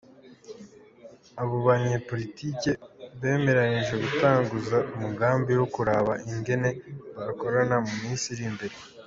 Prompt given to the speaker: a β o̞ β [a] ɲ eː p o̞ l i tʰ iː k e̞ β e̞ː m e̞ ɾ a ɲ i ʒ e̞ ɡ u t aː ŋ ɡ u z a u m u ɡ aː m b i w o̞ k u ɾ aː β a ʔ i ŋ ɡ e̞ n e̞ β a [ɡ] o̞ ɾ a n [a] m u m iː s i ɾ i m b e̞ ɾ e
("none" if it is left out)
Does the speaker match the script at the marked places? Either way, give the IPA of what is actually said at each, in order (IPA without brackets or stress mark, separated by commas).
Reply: a, k, a